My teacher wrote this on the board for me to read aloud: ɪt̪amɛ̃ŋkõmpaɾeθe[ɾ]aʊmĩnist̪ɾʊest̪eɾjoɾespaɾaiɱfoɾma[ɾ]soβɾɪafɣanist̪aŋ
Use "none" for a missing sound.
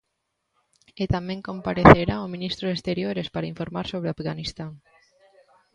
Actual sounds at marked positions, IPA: ɾ, ɾ

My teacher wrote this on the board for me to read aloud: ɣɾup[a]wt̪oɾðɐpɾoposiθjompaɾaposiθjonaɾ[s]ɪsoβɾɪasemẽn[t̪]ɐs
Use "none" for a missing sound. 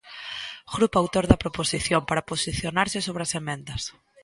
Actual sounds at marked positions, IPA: a, s, d̪

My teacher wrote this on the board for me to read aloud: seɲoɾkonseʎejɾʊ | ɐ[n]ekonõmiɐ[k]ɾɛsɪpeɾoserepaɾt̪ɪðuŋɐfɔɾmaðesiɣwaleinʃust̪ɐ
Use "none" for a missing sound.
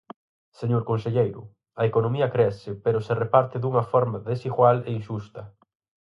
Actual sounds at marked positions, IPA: none, k

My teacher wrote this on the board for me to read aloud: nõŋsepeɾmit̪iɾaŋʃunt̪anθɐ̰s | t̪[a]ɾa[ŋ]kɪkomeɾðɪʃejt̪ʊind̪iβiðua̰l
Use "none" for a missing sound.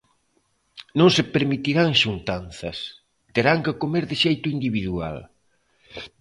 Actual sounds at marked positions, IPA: e, ŋ

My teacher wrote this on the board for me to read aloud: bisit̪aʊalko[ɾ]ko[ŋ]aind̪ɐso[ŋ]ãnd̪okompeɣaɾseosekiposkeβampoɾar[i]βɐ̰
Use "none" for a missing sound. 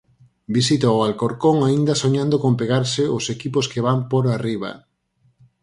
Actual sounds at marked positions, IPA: ɾ, ŋ, ɲ, i

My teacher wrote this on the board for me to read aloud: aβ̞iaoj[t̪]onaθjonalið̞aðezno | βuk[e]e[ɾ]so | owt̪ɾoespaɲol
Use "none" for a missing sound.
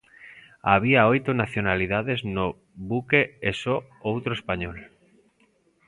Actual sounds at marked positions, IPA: t̪, e, none

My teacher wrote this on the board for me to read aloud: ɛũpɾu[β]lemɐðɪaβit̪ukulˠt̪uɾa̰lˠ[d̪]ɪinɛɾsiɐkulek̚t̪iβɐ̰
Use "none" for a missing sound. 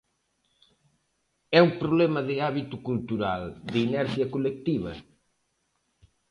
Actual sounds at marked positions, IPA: β, d̪

